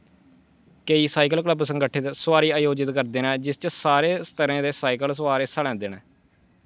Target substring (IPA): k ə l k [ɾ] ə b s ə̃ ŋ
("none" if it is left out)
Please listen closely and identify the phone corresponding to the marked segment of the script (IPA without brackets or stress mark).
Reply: l